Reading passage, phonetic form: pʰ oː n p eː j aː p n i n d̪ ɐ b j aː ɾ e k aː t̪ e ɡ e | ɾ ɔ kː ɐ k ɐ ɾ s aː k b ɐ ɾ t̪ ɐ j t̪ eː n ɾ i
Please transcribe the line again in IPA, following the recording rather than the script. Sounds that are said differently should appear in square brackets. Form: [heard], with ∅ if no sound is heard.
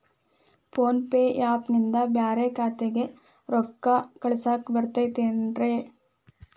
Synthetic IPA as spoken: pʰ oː n p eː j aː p n i n d̪ ɐ b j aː ɾ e k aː t̪ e ɡ e | ɾ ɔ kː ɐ k ɐ [ɭ] s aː k b ɐ ɾ t̪ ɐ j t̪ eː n ɾ [e]